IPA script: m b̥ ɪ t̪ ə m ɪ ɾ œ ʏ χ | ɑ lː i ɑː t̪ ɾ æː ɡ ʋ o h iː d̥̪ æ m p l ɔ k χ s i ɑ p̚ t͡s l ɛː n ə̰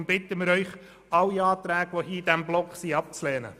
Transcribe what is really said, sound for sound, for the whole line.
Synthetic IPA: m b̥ ɪ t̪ ə m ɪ ɾ œ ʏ χ | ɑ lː i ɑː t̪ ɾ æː ɡ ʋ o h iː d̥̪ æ m b l ɔ k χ s i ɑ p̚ t͡s l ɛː n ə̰

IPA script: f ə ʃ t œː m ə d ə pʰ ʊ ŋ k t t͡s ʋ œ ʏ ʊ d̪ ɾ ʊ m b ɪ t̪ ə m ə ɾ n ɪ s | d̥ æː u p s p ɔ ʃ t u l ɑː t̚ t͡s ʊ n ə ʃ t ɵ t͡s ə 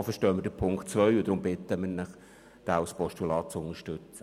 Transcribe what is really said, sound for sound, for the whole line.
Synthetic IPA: f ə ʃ t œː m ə d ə pʰ ʊ ŋ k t t͡s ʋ œ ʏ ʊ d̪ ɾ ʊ m b ɪ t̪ ə m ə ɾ n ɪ χ | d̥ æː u s p ɔ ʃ t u l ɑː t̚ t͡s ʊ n ə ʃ t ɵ t͡s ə

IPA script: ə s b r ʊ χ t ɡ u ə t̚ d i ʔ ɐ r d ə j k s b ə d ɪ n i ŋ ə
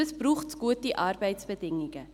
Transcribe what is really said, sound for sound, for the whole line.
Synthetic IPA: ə s b r u χ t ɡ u ə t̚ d i ʔ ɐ r b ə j t s b ə d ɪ ŋ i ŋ ə

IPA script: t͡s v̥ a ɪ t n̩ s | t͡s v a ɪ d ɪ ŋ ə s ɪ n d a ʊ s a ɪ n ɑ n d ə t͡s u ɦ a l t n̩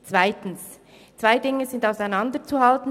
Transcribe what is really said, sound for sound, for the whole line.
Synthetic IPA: t͡s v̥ a ɪ t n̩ s | t͡s v a ɪ d ɪ ŋ ə z ɪ n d a ʊ s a ɪ n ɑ n d ə t͡s u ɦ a l t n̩

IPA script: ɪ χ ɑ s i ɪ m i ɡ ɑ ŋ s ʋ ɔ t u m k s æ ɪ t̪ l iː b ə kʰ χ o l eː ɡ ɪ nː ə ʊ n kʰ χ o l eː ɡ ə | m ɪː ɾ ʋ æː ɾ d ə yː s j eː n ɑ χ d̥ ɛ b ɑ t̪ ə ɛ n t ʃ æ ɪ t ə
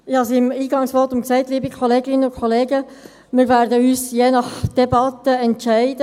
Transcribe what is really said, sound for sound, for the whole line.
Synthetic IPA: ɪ h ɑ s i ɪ m iː ɡ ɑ ŋ s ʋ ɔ t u m k s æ ɪ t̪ l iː b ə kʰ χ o l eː ɡ ɪ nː ə ʊ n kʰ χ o l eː ɡ ə | m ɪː ɾ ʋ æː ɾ d ə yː s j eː n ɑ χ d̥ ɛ b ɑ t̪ ə ɛ n t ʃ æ ɪ d ə

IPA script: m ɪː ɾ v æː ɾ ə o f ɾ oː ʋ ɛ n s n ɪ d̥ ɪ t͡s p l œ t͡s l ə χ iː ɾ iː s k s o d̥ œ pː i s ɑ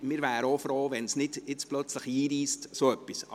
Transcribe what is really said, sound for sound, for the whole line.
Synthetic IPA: m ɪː ɾ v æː ɾ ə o f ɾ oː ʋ ɛ n s n ɪ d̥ ɪ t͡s p l œ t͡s l ə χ iː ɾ iː s t s o œ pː i s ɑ

